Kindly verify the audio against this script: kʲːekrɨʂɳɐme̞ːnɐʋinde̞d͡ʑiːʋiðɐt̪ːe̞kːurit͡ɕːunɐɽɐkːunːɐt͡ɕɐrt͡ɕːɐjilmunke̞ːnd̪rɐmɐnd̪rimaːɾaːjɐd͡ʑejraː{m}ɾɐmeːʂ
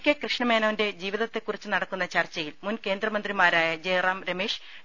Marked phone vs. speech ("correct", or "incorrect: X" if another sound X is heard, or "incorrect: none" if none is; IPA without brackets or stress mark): correct